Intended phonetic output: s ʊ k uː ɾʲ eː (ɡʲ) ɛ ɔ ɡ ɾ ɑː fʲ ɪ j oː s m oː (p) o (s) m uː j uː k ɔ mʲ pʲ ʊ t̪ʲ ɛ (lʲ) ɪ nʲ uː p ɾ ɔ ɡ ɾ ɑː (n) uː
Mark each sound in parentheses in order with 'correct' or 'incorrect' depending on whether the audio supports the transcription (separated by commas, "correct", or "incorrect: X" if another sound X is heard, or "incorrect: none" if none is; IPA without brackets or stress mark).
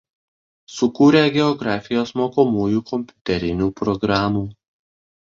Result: correct, incorrect: k, incorrect: none, incorrect: ɾʲ, incorrect: m